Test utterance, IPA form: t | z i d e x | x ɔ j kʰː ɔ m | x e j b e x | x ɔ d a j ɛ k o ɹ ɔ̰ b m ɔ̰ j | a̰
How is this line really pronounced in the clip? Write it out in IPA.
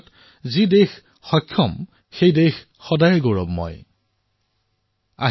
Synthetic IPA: t | z i d e x | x ɔ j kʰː ɔ m | x e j d e x | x ɔ d a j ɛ ɡ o ɹ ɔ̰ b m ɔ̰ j | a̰